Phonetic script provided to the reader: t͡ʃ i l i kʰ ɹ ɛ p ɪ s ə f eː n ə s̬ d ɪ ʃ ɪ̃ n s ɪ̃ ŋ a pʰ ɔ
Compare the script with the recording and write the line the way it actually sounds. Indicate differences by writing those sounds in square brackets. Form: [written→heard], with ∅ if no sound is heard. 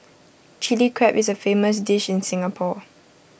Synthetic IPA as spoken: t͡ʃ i l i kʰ ɹ ɛ p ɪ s ə f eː [n→m] ə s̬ d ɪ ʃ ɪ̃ n s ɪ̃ ŋ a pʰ ɔ